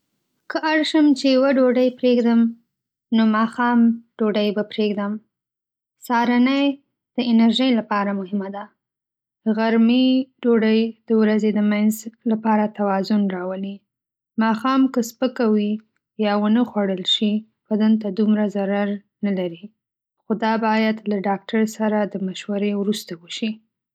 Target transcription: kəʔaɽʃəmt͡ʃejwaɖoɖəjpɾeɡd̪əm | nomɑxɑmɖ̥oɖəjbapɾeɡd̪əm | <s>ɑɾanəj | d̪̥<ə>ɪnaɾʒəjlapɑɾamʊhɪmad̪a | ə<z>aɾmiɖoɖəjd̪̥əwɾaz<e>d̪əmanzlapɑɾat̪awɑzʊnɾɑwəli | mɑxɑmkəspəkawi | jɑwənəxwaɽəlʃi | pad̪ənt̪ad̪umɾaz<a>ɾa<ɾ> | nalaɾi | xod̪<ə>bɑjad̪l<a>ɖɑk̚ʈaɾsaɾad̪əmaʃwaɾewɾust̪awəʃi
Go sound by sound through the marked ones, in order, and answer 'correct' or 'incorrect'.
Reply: correct, correct, incorrect: ɣ, correct, correct, correct, incorrect: ɑ, correct

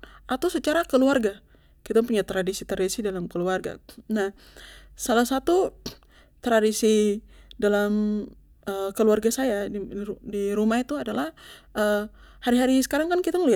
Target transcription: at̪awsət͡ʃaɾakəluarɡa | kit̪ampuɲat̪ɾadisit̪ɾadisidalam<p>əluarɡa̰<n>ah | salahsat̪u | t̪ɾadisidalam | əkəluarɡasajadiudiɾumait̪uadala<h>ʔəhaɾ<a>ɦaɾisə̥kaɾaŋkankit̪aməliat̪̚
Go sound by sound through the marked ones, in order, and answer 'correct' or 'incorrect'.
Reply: incorrect: k, correct, correct, incorrect: i

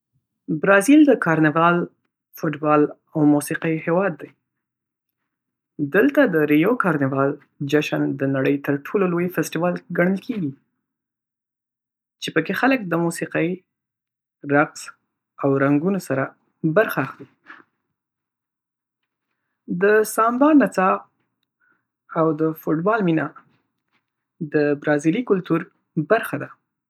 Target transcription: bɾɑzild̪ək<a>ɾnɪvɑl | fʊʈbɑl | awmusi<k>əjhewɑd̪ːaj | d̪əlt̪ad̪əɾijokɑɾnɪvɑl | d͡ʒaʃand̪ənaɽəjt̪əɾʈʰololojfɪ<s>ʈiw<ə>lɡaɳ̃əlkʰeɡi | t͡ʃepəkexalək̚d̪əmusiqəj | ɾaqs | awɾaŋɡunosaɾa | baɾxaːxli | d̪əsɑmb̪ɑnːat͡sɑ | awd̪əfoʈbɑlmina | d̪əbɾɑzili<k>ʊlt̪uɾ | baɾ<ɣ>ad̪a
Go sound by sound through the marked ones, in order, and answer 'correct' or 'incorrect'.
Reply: incorrect: ɑ, incorrect: q, correct, incorrect: ɑ, correct, incorrect: x

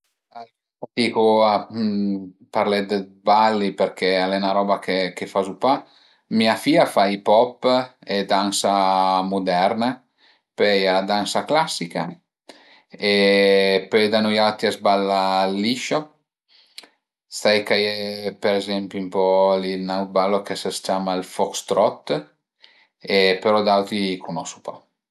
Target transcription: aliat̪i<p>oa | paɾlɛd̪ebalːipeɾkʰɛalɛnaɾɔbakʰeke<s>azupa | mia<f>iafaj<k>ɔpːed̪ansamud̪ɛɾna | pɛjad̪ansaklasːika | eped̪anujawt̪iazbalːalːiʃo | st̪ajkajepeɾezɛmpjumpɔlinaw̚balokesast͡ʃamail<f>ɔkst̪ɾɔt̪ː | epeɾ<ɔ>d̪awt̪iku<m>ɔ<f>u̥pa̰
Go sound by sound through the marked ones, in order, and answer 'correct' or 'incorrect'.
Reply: incorrect: k, incorrect: f, correct, incorrect: p, correct, correct, incorrect: n, incorrect: s

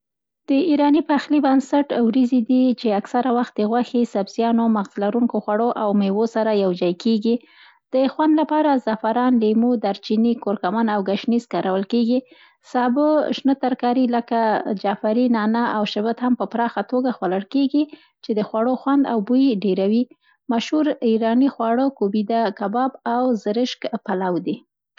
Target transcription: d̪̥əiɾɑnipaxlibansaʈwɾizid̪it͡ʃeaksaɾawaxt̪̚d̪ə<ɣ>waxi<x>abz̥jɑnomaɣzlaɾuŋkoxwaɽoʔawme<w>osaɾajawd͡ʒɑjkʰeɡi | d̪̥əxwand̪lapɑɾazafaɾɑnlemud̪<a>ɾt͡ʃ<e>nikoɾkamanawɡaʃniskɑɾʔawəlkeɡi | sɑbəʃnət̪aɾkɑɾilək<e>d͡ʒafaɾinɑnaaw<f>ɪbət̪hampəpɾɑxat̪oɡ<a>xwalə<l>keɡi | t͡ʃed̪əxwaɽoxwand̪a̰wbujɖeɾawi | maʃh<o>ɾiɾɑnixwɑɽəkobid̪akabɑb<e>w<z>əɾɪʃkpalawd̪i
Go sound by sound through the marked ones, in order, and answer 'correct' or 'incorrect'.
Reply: correct, incorrect: s, correct, correct, incorrect: i, incorrect: a, incorrect: ʃ, correct, incorrect: ɽ, incorrect: u, incorrect: a, correct

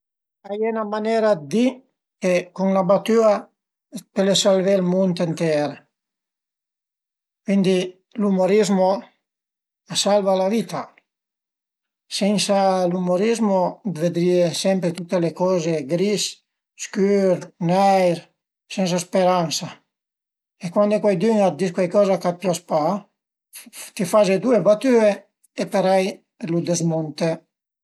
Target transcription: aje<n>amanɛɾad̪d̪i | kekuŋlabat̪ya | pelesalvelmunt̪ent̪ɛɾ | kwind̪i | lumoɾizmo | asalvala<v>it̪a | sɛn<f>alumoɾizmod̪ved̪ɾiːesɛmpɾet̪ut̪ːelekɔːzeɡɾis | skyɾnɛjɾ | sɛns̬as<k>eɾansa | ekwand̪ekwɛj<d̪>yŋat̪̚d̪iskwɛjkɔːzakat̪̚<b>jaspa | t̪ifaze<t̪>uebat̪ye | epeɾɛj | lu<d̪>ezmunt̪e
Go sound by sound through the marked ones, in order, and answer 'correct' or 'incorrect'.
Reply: correct, correct, incorrect: s, incorrect: p, correct, incorrect: p, incorrect: d̪, correct

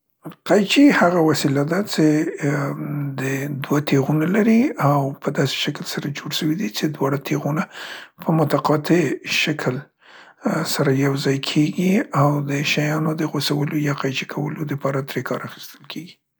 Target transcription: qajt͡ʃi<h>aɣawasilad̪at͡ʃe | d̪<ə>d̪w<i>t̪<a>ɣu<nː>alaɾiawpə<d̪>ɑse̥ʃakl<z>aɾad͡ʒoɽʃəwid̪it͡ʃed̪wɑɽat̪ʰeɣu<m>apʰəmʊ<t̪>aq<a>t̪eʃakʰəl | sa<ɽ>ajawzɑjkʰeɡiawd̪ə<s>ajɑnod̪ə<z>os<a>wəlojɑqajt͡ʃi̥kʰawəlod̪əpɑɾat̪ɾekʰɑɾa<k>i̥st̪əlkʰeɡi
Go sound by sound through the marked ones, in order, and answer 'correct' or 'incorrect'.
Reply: correct, correct, incorrect: a, incorrect: e, incorrect: n, correct, incorrect: s, incorrect: n, correct, incorrect: ɑ, incorrect: ɾ, incorrect: ʃ, incorrect: ɣ, correct, incorrect: x

